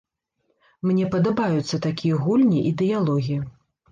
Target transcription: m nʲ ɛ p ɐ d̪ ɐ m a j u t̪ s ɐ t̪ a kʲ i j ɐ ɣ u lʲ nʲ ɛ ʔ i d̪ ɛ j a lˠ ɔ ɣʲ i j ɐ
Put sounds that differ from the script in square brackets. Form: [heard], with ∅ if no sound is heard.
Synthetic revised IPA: m nʲ ɛ p ɐ d̪ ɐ [b] a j u t̪ [sː] ɐ t̪ a kʲ i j ɐ ɣ u lʲ nʲ [i] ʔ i d̪ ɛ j a lˠ ɔ ɣʲ i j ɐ